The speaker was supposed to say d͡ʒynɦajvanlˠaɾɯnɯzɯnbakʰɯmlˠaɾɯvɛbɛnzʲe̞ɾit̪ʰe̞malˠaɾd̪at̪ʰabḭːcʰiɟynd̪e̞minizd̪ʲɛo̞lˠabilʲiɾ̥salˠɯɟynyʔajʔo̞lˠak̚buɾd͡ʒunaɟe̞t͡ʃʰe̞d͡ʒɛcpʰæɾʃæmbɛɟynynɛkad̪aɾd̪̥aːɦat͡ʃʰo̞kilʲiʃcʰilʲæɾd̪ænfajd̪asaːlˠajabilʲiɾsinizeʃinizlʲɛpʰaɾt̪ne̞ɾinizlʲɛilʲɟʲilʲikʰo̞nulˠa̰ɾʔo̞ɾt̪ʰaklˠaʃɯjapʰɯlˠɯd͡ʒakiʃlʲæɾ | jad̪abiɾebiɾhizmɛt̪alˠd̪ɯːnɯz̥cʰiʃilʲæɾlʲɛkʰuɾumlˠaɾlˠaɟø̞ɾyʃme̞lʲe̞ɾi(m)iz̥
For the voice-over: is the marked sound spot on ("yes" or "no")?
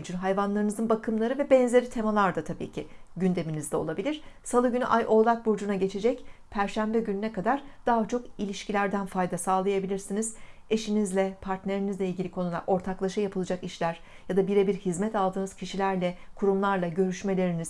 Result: no